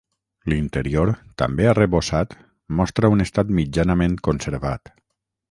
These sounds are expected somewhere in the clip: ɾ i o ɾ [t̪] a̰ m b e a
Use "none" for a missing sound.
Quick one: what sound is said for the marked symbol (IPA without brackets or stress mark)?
t̪